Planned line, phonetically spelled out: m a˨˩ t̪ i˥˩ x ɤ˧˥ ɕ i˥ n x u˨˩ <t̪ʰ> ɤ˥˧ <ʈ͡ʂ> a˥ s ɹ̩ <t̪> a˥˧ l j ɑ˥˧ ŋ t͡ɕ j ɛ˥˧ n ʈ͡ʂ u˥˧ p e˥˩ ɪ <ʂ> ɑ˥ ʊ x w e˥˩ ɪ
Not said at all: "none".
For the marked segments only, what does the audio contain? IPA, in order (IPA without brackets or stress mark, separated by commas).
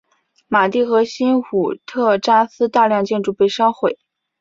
t̪ʰ, ʈ͡ʂ, t̪, ʂ